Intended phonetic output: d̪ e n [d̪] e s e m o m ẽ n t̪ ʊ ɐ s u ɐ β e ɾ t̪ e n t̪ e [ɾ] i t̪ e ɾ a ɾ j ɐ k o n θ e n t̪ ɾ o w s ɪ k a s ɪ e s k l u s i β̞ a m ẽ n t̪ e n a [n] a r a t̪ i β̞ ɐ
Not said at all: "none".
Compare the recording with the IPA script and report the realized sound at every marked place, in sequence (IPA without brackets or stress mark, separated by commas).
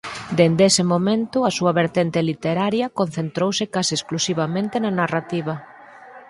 d̪, l, n